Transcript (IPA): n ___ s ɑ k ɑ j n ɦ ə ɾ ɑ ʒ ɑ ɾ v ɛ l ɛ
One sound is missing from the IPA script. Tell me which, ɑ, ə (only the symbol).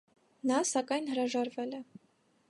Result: ɑ